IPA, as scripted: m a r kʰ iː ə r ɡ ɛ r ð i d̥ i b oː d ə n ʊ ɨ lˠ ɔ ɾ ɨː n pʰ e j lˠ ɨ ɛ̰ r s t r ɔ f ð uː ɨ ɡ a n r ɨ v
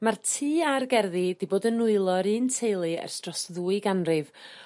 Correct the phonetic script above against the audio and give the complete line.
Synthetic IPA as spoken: m a r tʰ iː a r ɡ ɛ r ð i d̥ i b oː d ə n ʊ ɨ lˠ ɔ ɾ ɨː n tʰ e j lˠ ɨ ɛ̰ r s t r ɔ s ð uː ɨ ɡ a n r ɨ v